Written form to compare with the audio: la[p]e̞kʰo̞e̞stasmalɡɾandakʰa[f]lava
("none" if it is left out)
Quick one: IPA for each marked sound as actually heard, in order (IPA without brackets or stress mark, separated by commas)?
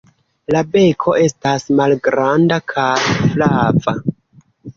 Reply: b, f